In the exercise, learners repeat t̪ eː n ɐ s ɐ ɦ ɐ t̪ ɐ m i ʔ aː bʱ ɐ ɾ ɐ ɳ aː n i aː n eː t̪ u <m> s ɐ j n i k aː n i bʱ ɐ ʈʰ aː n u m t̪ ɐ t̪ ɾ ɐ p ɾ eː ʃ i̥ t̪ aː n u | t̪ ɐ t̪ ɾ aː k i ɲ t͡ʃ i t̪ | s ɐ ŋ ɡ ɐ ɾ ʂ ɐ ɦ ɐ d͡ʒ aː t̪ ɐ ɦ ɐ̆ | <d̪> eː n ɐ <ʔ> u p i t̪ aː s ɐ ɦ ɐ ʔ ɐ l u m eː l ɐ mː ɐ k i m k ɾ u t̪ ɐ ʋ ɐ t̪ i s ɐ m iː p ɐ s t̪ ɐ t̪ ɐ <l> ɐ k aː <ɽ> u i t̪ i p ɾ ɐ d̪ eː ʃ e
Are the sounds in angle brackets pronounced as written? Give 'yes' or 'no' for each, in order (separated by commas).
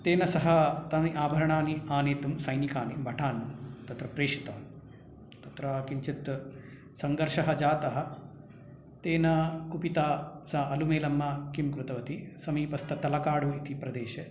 yes, no, no, yes, yes